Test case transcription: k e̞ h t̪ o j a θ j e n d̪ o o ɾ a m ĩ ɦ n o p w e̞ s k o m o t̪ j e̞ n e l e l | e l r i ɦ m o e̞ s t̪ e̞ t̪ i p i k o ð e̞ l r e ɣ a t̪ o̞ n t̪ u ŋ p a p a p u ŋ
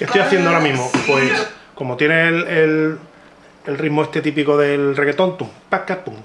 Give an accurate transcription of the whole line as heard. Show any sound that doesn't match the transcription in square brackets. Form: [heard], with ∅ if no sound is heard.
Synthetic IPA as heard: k e̞ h t̪ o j a θ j e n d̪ o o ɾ a m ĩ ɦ [m] o p w e̞ s k o m o t̪ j e̞ n e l e l | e l r i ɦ m o e̞ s t̪ e̞ t̪ i p i k o ð e̞ l r e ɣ [e] t̪ o̞ n t̪ u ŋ p a [k] a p u ŋ

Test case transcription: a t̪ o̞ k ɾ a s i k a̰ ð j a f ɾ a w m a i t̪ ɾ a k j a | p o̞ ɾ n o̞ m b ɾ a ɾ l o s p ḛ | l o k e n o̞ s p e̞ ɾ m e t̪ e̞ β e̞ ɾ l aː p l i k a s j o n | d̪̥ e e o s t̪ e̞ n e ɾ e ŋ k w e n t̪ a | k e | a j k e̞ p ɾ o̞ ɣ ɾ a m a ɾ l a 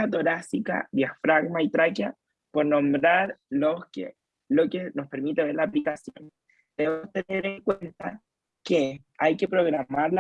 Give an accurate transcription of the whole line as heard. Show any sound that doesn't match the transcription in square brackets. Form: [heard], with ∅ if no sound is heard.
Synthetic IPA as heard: a t̪ o̞ [∅] ɾ a s i k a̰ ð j a f ɾ a [ɣ] m a i t̪ ɾ a k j a | p o̞ ɾ n o̞ m b ɾ a ɾ l o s [k] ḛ | l o k e n o̞ s p e̞ ɾ m [i] t̪ e̞ β e̞ ɾ l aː p l i k a s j o n | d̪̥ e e o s t̪ e̞ n e ɾ e ŋ k w e n t̪ a | k e | a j k e̞ p ɾ o̞ ɣ ɾ a m a ɾ l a

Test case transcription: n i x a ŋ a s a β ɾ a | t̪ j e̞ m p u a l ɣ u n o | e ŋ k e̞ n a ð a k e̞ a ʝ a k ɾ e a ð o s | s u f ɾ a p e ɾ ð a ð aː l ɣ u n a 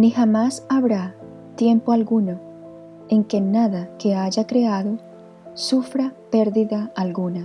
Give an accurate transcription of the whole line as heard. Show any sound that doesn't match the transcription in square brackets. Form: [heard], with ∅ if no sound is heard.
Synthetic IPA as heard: n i x a [m] a s a β ɾ a | t̪ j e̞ m p [o] a l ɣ u n o | e ŋ k e̞ n a ð a k e̞ a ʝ a k ɾ e a ð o [∅] | s u f ɾ a p e ɾ ð [i] ð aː l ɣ u n a

